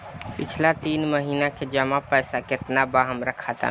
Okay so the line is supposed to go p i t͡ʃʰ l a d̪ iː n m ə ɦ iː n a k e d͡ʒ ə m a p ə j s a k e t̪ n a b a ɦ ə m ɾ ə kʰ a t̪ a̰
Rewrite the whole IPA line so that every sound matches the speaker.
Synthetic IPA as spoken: p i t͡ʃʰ l a t̪ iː n m ə ɦ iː n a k e d͡ʒ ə m a p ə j s a k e t̪ n a b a ɦ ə m ɾ ə kʰ a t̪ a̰